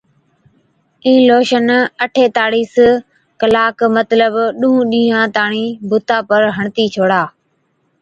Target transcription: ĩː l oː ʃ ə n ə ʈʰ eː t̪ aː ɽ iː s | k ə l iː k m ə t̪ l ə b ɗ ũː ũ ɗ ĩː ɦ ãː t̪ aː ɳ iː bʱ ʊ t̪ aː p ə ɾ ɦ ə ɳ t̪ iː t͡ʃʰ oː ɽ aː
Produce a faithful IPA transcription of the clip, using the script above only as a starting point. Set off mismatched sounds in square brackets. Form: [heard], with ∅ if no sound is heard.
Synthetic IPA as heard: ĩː l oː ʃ ə n ə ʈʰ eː t̪ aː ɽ iː s | k ə l [aː] k m ə t̪ l ə b ɗ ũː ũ ɗ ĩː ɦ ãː t̪ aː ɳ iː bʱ ʊ t̪ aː p ə ɾ ɦ ə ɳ t̪ iː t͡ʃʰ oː ɽ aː